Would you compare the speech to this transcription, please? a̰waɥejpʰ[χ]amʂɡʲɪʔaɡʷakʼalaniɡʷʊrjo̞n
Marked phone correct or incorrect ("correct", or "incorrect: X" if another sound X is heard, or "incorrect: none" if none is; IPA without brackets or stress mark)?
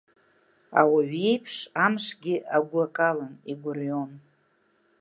incorrect: ʂ